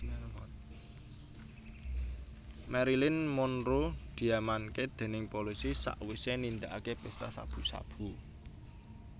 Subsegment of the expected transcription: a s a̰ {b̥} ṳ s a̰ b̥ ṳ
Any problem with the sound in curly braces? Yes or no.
no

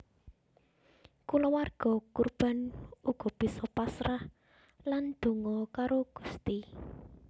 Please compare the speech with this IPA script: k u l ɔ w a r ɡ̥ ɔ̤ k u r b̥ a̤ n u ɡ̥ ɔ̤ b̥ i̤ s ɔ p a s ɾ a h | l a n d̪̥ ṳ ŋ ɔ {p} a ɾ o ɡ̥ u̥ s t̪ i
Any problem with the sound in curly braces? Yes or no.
yes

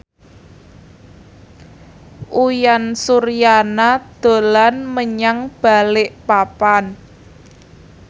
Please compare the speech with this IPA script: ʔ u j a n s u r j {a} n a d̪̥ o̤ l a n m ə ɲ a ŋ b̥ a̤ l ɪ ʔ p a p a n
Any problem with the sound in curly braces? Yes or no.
no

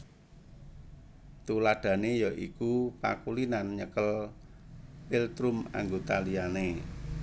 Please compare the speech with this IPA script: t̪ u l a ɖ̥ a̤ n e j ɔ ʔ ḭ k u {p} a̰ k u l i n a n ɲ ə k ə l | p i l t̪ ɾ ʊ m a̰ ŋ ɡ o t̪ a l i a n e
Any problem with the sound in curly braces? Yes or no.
no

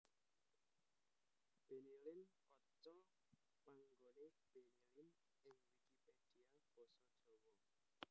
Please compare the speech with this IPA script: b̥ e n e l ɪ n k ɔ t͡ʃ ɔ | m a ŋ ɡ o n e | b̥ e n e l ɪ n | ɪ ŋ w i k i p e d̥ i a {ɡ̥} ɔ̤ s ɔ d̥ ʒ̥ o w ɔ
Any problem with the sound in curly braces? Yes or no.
yes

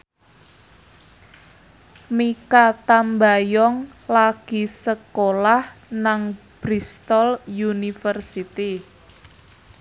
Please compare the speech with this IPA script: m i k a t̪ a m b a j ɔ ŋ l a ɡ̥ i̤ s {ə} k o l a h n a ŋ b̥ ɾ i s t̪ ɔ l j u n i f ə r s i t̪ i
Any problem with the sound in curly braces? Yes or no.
no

